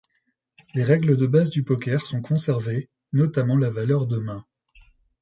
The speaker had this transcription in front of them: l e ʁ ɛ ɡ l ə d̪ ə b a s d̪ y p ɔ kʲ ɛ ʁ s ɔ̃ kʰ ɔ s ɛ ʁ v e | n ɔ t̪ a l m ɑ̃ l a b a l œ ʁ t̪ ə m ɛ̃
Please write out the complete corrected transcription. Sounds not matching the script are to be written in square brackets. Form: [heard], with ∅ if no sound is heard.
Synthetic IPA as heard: l e ʁ ɛ ɡ l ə d̪ ə b a [z] d̪ y p ɔ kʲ ɛ ʁ s ɔ̃ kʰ [ɔ̃] s ɛ ʁ v e | n ɔ t̪ a [∅] m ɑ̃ l a [v] a l œ ʁ [d̪] ə m ɛ̃